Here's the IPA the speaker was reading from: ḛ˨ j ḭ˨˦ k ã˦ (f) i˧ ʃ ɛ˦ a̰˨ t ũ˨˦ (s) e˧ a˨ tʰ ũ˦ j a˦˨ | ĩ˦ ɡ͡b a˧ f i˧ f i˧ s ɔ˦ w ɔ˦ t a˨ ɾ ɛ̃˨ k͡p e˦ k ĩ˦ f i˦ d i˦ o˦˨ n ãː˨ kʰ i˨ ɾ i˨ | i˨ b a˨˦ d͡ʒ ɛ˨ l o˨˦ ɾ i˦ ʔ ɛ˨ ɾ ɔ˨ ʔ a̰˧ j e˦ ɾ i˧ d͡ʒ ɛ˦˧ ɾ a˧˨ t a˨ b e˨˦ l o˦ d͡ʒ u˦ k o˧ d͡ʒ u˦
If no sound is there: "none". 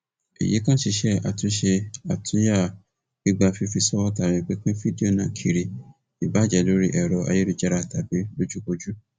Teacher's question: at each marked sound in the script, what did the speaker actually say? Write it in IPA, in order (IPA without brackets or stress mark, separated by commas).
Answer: ʃ, ʃ